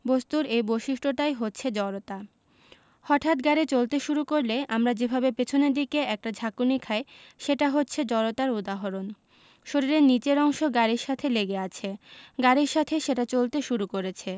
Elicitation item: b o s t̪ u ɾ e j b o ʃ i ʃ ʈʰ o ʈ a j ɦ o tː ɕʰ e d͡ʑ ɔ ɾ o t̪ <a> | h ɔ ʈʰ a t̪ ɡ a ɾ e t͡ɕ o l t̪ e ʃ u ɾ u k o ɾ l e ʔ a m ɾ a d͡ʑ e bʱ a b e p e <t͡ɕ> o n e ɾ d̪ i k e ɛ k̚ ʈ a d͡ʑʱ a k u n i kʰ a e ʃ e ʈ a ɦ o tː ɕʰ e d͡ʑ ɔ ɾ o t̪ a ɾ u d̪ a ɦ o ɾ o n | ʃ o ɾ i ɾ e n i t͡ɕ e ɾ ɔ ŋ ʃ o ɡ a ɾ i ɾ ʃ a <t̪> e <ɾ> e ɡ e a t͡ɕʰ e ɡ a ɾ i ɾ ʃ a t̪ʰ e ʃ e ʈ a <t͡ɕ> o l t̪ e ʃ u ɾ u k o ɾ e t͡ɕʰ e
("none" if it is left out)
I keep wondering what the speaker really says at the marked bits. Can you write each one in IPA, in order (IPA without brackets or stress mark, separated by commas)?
a, t͡ɕʰ, t̪ʰ, l, t͡ɕ